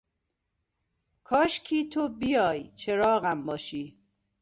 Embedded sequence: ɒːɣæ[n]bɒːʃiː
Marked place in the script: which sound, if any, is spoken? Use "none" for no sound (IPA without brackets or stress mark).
m